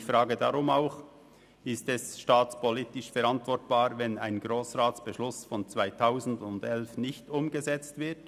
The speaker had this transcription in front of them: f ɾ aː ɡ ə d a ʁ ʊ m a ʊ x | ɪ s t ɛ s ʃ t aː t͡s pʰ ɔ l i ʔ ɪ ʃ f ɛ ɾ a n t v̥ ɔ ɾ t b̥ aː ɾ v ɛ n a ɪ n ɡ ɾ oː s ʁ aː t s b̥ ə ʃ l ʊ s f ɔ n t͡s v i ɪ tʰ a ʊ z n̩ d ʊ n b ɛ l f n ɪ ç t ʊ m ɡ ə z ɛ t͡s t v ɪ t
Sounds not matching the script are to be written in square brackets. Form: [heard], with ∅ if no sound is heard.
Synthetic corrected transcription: f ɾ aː ɡ ə d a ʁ ʊ m a ʊ x | ɪ s t ɛ s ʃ t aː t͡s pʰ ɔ l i [t] ɪ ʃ f ɛ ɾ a n t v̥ ɔ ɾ t b̥ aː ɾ v ɛ n a ɪ n ɡ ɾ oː s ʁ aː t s b̥ ə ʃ l ʊ s f ɔ n t͡s v [a] ɪ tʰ a ʊ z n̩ d ʊ n [d] ɛ l f n ɪ ç t ʊ m ɡ ə z ɛ t͡s t v ɪ t

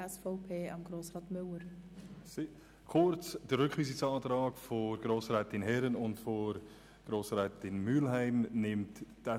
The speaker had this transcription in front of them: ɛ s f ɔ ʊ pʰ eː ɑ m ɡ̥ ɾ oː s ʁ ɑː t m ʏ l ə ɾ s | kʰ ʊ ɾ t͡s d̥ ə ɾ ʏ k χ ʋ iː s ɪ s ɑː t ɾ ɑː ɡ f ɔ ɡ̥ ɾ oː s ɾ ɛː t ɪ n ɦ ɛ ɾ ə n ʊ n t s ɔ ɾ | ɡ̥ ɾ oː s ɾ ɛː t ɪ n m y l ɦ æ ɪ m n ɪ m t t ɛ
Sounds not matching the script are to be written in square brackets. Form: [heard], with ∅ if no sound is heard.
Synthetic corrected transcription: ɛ s f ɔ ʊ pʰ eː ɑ m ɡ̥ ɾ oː s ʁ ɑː t m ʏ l ə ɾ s | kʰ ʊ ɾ t͡s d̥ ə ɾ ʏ k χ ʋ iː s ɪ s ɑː t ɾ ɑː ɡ f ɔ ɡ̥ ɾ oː s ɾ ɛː t ɪ n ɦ ɛ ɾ ə n ʊ n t [f] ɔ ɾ | ɡ̥ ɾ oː s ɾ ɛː t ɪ n m y l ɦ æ ɪ m n ɪ m t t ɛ

